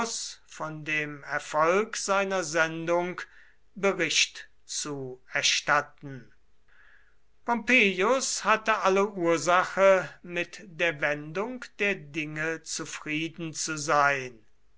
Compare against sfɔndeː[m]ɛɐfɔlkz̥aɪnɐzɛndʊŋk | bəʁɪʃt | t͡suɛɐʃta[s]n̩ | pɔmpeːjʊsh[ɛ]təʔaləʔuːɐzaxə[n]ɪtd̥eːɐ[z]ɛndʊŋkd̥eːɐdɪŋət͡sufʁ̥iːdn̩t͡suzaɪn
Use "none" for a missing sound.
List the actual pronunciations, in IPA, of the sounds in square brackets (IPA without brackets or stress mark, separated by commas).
m, t, a, m, v